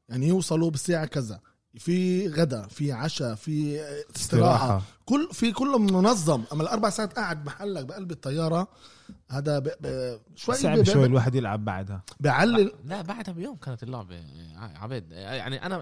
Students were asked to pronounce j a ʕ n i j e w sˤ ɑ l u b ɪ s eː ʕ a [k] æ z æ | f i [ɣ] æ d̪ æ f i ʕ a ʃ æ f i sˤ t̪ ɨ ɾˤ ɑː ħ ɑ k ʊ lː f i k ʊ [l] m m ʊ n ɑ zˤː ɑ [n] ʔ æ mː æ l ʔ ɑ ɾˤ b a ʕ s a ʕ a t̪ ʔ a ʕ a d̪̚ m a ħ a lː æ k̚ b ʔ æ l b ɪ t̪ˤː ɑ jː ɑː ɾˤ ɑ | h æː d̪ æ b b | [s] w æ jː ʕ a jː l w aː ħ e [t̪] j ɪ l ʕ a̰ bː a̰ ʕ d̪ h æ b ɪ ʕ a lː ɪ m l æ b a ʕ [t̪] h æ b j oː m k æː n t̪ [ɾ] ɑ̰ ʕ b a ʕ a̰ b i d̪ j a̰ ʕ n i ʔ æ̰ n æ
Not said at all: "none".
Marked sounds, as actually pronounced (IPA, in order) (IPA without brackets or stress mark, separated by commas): k, ɣ, lː, m, ʃ, d̪, d̪, l